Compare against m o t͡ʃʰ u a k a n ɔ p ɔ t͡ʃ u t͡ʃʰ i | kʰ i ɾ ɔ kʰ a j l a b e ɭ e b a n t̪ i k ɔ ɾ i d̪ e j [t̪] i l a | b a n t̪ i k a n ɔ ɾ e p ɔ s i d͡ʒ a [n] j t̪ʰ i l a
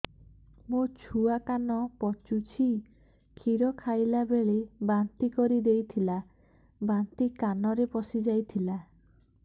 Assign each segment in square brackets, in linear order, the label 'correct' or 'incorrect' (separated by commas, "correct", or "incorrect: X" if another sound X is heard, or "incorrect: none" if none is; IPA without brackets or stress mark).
incorrect: t̪ʰ, incorrect: none